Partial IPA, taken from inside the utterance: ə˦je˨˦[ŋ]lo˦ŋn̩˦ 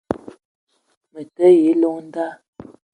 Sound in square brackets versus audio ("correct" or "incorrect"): incorrect